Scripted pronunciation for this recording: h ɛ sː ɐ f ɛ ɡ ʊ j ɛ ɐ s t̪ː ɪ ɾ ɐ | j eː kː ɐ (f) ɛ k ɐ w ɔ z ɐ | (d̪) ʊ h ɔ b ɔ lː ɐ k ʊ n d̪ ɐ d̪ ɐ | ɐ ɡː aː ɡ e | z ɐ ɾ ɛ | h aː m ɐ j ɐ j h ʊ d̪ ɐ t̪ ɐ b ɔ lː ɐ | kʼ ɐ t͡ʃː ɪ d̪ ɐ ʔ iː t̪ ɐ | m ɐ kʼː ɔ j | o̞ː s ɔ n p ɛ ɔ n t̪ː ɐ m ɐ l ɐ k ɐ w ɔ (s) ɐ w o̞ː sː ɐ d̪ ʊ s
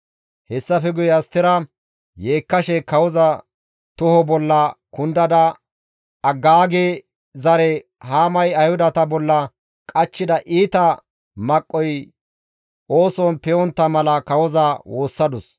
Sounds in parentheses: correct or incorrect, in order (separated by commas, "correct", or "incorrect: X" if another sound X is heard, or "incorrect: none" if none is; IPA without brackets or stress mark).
incorrect: ʃ, incorrect: t̪, incorrect: z